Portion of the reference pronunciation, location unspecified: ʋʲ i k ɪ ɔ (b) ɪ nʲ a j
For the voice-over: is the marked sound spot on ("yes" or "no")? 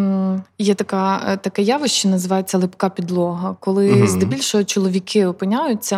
no